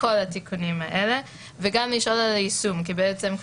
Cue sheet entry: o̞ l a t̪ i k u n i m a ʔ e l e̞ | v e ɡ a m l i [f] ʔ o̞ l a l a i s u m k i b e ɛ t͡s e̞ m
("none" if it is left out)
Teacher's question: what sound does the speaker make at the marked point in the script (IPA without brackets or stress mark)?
ʃ